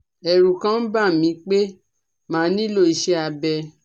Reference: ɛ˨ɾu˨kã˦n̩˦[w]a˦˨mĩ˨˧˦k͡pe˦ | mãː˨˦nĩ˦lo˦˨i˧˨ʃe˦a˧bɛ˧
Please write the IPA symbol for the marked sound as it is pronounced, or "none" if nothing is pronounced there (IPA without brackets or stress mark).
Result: b